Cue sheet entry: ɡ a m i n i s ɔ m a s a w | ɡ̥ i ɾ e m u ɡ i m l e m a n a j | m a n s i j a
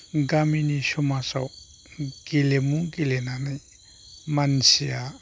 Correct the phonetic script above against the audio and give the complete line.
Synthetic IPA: ɡ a m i n i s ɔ m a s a w | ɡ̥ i l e m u ɡ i l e n a n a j | m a n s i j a